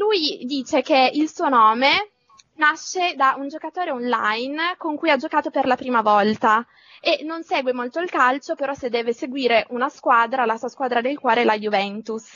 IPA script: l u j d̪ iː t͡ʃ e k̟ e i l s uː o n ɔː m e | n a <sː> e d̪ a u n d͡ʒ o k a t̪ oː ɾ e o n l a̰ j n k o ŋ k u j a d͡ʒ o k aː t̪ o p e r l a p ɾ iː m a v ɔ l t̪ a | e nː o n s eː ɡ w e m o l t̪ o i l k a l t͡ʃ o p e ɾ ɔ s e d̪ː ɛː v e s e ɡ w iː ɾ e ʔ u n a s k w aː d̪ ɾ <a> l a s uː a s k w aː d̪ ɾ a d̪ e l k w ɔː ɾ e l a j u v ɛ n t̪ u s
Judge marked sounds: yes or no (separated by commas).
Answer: no, yes